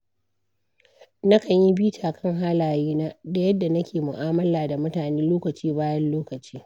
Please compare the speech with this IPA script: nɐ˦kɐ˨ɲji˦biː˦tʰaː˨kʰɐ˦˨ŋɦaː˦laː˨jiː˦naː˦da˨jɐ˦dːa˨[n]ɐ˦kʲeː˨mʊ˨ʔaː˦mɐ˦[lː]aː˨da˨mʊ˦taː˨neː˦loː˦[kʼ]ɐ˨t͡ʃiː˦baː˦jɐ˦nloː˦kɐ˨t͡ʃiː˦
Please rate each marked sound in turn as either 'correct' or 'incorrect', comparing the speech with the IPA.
correct, incorrect: l, incorrect: k

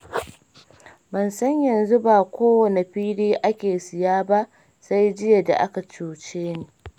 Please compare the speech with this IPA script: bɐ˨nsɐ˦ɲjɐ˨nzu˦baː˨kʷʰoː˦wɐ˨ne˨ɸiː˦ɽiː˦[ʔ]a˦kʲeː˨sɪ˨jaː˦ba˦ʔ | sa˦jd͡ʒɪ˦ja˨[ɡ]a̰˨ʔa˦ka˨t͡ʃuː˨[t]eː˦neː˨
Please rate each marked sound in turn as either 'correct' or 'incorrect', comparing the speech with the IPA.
correct, incorrect: d, incorrect: t͡ʃ

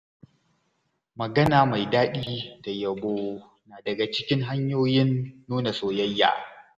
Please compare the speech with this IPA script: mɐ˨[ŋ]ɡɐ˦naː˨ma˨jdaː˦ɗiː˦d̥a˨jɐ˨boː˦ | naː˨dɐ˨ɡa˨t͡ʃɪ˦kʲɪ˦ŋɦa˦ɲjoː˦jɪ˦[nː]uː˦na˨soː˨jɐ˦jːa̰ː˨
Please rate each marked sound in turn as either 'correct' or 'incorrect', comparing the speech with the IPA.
incorrect: none, correct

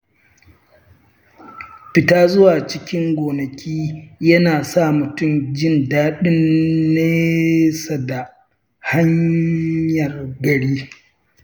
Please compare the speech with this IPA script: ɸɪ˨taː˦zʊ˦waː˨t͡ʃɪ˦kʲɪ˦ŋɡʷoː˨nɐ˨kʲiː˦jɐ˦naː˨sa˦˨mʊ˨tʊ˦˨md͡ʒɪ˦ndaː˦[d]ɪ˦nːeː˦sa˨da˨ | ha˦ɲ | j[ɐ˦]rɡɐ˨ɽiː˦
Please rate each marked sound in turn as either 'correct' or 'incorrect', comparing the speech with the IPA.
incorrect: ɗ, incorrect: ɐ˨

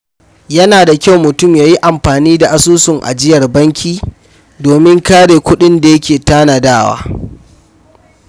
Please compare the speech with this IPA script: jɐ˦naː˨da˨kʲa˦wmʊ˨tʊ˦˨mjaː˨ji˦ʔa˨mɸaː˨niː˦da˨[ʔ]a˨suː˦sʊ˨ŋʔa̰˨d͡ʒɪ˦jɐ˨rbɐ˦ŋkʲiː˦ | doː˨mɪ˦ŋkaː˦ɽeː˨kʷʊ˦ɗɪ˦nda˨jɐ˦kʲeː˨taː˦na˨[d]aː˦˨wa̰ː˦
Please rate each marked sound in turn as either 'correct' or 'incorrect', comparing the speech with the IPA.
correct, correct

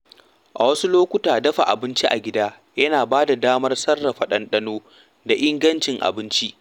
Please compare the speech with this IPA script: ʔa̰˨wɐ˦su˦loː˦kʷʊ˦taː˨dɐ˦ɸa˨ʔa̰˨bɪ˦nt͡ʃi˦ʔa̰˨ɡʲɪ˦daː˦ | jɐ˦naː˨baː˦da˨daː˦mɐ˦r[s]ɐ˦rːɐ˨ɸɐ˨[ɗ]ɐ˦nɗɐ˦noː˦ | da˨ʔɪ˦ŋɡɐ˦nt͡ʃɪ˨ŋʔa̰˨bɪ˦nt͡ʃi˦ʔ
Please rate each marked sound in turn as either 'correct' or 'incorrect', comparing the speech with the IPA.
correct, correct

